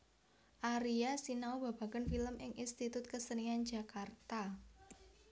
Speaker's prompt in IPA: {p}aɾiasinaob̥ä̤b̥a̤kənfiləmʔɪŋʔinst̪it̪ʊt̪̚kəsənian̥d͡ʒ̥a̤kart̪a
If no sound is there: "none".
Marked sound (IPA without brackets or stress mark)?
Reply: ʔ